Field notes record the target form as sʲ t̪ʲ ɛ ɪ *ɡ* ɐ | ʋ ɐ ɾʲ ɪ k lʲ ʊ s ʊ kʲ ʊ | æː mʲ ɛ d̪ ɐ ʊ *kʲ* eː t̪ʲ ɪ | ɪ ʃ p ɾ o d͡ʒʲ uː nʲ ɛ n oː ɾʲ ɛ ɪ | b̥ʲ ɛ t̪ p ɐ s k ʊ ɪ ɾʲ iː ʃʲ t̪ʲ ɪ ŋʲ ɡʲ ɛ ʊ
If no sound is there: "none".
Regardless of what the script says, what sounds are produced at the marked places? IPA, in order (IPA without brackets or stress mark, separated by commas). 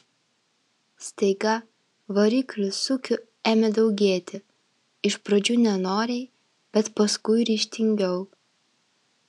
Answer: ɡ, ɡʲ